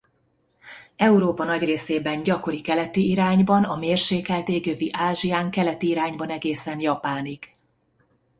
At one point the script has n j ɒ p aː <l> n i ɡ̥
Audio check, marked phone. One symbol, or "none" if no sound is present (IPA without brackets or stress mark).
none